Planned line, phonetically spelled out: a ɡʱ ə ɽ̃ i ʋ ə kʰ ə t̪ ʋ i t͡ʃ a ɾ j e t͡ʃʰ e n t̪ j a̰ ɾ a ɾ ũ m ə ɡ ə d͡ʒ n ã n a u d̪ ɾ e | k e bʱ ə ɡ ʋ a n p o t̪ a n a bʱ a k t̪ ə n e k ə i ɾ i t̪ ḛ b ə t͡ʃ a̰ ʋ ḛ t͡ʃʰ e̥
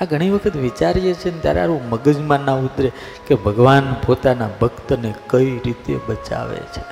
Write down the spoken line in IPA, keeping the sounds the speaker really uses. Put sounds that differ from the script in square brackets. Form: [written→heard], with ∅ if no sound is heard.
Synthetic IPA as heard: a ɡʱ ə ɽ̃ i ʋ ə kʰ ə t̪ ʋ i t͡ʃ a ɾ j e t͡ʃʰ e n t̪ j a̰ ɾ a ɾ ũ m ə ɡ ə d͡ʒ [n→m] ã n a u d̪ ɾ e | k e bʱ ə ɡ ʋ a n p o t̪ a n a bʱ [a→ə] k t̪ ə n e k ə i ɾ i t̪ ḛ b ə t͡ʃ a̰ ʋ ḛ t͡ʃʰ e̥